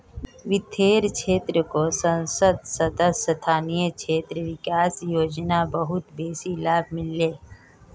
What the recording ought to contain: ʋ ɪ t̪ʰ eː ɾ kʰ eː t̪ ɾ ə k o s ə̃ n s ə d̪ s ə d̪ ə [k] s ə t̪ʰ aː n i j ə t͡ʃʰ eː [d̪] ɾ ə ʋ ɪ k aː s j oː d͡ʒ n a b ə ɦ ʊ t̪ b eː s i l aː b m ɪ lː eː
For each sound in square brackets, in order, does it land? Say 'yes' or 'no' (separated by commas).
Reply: no, no